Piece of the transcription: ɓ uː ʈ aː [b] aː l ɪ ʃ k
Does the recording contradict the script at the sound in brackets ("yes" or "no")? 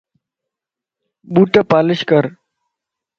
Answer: yes